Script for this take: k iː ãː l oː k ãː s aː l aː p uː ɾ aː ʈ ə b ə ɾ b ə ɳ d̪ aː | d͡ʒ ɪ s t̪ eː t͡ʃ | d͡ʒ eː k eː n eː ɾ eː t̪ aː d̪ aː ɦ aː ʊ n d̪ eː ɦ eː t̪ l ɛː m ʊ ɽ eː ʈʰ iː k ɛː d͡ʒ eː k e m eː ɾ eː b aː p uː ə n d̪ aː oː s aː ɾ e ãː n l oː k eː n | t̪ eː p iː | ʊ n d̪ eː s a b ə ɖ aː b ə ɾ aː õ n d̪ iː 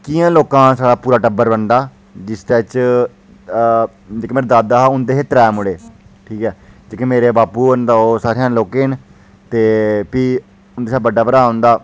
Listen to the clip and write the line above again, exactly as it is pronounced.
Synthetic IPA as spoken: k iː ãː l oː k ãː s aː ɽ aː p uː ɾ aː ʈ ə b ə ɾ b ə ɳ d̪ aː | d͡ʒ ɪ s t̪ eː t͡ʃ | d͡ʒ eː k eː m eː ɾ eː d̪ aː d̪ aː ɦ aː ʊ n d̪ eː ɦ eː t̪ ɾ ɛː m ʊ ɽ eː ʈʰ iː k ɛː d͡ʒ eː k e m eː ɾ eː b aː p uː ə n d̪ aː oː s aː ɾ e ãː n l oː k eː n | t̪ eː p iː | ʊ n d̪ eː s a b ə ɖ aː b ə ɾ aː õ n d̪ aː